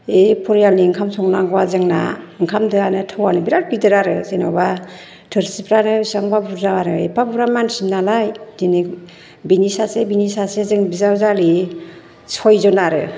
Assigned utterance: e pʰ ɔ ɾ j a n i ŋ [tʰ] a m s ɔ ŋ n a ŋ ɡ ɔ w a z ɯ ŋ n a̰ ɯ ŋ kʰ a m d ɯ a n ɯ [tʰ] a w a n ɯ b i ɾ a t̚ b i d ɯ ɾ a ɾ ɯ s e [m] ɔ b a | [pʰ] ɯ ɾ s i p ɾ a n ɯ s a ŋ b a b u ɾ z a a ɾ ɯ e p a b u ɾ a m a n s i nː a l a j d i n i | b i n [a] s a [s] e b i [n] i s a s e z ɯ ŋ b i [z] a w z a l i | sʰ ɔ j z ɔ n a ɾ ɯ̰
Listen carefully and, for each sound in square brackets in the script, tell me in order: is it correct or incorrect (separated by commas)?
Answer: incorrect, correct, incorrect, incorrect, incorrect, correct, correct, correct